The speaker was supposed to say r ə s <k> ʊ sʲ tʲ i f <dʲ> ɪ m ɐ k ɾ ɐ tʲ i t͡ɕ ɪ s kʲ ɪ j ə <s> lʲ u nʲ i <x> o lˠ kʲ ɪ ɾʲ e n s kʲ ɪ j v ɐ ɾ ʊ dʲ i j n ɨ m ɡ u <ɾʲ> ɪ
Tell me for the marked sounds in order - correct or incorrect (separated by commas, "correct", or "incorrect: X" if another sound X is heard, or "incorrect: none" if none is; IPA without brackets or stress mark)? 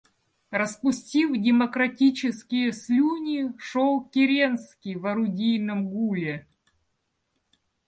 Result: incorrect: p, correct, correct, incorrect: ʂ, incorrect: lʲ